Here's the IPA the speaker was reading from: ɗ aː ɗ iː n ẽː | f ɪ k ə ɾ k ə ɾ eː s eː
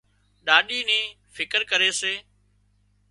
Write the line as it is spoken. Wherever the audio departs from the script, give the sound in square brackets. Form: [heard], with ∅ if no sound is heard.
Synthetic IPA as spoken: ɗ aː ɗ iː n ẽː | f ɪ k ə ɾ k ə ɾ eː s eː